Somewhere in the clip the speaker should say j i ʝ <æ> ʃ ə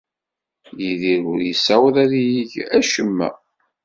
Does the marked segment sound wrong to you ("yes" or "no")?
no